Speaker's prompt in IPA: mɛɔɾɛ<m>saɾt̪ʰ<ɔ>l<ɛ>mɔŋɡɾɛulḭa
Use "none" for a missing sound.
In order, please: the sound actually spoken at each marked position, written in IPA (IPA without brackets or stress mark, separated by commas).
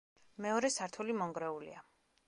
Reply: none, u, i